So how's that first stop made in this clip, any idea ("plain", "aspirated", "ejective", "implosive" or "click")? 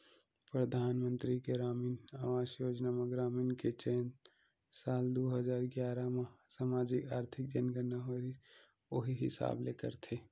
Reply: plain